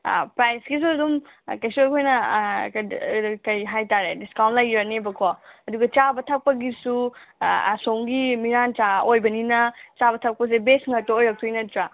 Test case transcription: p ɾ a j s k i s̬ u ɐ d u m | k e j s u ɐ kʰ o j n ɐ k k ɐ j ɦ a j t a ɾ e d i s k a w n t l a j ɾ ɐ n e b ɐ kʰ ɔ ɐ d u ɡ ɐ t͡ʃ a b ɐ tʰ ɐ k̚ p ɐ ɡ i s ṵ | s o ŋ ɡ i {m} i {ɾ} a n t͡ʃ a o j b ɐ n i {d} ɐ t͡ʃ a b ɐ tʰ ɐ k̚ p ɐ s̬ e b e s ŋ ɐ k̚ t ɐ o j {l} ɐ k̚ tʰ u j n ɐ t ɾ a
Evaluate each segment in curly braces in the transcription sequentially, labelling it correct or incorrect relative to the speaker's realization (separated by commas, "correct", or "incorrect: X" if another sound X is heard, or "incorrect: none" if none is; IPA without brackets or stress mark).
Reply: correct, correct, incorrect: n, incorrect: ɾ